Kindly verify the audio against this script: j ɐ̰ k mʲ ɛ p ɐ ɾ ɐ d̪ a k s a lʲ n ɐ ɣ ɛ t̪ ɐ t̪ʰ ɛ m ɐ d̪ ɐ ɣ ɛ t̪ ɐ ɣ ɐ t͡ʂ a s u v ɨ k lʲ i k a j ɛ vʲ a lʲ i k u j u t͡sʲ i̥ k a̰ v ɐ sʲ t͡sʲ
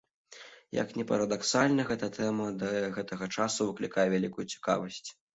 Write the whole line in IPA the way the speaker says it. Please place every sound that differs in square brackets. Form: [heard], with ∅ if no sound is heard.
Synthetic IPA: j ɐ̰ k [nʲ] ɛ p ɐ ɾ ɐ d̪ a k s a lʲ n ɐ ɣ ɛ t̪ ɐ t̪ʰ ɛ m ɐ d̪ ɐ ɣ ɛ t̪ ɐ ɣ ɐ t͡ʂ a s u v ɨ k lʲ i k a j ɛ vʲ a lʲ i k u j u t͡sʲ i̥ k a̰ v ɐ sʲ t͡sʲ